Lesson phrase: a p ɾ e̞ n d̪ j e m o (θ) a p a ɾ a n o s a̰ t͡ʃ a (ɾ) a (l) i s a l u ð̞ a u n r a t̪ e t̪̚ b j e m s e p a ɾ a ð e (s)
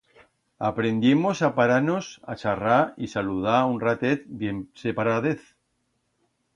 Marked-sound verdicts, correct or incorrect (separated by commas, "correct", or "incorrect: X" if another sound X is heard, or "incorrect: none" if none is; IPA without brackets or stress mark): incorrect: s, incorrect: r, incorrect: none, incorrect: θ